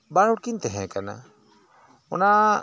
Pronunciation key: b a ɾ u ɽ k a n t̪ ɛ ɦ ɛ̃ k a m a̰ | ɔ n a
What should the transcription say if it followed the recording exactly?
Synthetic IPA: b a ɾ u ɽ k i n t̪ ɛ ɦ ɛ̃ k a n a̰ | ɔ n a

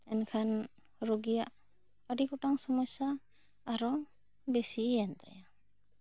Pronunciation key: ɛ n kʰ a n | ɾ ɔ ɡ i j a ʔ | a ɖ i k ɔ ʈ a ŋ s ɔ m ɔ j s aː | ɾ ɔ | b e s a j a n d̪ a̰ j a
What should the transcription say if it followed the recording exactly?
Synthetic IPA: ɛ n kʰ a n | ɾ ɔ ɡ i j a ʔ | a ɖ i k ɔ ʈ a ŋ s ɔ m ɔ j s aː | ɾ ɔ | b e s i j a n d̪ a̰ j a

